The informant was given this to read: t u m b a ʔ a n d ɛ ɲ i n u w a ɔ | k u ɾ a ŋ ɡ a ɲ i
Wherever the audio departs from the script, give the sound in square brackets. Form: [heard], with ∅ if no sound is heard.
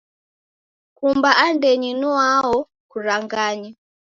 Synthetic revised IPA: [k] u m b a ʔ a n d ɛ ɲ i n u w a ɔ | k u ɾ a ŋ ɡ a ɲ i